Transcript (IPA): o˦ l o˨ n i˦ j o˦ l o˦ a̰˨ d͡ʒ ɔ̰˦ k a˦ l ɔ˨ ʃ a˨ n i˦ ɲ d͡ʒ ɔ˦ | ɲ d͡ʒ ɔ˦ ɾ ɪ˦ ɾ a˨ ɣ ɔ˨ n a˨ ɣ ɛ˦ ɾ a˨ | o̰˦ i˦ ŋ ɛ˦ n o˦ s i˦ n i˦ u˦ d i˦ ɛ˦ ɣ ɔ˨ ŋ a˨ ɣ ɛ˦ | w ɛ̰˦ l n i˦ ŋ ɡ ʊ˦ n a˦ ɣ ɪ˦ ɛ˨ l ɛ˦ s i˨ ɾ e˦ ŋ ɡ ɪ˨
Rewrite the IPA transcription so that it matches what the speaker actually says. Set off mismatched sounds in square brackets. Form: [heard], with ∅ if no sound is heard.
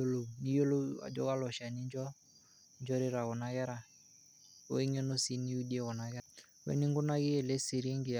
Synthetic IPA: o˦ l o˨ n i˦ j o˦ l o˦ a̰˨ d͡ʒ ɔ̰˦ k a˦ l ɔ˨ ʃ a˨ n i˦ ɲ d͡ʒ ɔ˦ | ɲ d͡ʒ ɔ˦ ɾ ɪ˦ ɾ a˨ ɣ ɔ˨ n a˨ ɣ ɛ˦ ɾ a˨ | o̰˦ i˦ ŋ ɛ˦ n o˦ s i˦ n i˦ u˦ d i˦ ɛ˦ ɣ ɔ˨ [n] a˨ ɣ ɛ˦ | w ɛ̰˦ [∅] n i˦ ŋ ɡ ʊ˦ n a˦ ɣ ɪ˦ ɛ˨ l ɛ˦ s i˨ ɾ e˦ ŋ ɡ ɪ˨

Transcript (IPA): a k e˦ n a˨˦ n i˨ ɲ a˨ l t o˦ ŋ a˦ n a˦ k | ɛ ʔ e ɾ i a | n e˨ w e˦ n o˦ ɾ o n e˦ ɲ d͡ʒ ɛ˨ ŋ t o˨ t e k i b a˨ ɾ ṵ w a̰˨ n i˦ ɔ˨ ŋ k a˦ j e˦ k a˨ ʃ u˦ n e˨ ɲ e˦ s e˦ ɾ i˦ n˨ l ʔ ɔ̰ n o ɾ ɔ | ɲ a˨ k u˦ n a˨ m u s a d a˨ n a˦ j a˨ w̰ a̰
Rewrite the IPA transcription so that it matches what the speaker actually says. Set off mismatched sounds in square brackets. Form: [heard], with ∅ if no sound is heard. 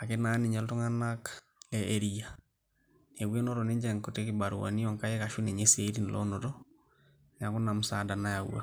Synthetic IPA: a k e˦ n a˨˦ n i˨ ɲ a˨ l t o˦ ŋ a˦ n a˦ k | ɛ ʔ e ɾ i a | n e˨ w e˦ n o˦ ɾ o n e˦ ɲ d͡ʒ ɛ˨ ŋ [k] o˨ t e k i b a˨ ɾ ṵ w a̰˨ n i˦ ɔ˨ ŋ k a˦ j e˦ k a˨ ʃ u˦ n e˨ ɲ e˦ s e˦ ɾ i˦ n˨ l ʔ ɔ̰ n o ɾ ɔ | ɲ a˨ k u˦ n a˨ m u s a d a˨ n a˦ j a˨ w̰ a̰

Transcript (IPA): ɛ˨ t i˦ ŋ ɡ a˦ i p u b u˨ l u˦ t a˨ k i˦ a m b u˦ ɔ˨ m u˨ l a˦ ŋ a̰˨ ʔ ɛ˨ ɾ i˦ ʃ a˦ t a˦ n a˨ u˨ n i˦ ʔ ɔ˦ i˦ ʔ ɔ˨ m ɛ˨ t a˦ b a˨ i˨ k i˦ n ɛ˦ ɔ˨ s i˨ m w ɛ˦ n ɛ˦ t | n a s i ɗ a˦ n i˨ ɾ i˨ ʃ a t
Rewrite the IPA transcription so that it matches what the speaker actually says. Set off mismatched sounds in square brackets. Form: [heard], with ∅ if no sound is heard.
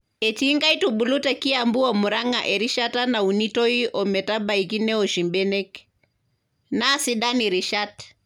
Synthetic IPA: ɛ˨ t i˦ ŋ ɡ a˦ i [t] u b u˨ l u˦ t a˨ k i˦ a m b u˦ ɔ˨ m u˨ [ɾ] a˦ ŋ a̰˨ ʔ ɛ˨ ɾ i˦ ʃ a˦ t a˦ n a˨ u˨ n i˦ [t] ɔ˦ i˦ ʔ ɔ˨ m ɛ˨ t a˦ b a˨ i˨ k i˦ n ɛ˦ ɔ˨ [ʃ] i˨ m [b] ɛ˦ n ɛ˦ [k] | n a s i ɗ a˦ n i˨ ɾ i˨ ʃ a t

